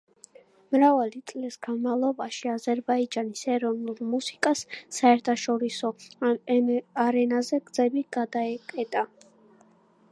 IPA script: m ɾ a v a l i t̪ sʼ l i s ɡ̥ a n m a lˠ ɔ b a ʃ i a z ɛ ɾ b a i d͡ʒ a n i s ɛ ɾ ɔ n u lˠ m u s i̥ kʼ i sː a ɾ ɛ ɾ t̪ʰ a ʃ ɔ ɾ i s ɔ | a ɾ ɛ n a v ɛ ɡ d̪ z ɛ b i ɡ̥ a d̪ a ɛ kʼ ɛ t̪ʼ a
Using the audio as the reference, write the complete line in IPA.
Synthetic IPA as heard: m ɾ a v a l i t̪ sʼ l i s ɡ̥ a n m a lˠ ɔ b a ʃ i a z ɛ ɾ b a i d͡ʒ a n i s ɛ ɾ ɔ n u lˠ m u s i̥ kʼ a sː a ɛ ɾ t̪ʰ a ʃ ɔ ɾ i s ɔ | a ɾ ɛ n a z ɛ ɡ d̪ z ɛ b i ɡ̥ a d̪ a ɛ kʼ ɛ t̪ʼ a

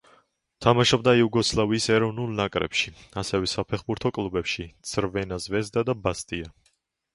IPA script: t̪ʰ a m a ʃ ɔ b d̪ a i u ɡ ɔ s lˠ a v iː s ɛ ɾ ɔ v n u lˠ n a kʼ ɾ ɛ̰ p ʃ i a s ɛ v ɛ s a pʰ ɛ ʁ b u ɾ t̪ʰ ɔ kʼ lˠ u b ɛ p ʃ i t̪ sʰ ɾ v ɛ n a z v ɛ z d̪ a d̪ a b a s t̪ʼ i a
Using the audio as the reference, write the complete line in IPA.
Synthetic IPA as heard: t̪ʰ a m a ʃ ɔ b d̪ a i u ɡ ɔ s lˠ a v iː s ɛ ɾ ɔ v n u lˠ n a kʼ ɾ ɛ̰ p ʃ i a s ɛ v ɛ s a pʰ ɛ χ b u ɾ t̪ʰ ɔ kʼ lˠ u b ɛ p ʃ i t̪ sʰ ɾ v ɛ n a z v ɛ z d̪ a d̪ a b a s t̪ʼ i a

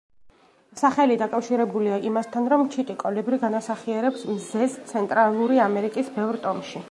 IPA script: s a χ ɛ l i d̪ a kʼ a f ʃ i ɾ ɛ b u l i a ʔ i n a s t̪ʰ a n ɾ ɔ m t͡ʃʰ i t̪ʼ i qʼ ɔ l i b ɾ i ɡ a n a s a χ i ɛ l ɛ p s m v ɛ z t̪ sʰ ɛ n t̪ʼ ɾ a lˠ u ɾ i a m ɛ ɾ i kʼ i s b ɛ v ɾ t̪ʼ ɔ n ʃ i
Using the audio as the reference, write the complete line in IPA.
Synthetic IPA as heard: s a χ ɛ l i d̪ a kʼ a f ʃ i ɾ ɛ b u l i a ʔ i m a s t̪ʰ a n ɾ ɔ m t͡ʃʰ i t̪ʼ i kʼ ɔ l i b ɾ i ɡ a n a s a χ i ɛ ɾ ɛ p s m z ɛ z t̪ sʰ ɛ n t̪ʼ ɾ a lˠ u ɾ i a m ɛ ɾ i kʼ i s b ɛ v ɾ t̪ʼ ɔ m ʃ i

